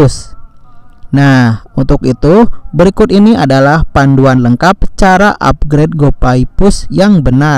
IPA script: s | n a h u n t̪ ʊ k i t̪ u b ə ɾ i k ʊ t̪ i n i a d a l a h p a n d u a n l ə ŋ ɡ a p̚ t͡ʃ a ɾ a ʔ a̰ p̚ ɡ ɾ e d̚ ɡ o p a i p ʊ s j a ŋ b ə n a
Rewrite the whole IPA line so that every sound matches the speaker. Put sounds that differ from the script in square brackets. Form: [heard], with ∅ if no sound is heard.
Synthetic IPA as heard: s | n a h u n t̪ ʊ k i t̪ u b ə ɾ i k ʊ t̪ i n i a d a l a h p a n d u a n l ə ŋ [k] a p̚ t͡ʃ a ɾ a ʔ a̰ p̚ ɡ ɾ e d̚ ɡ o p a i p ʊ s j a ŋ b ə n a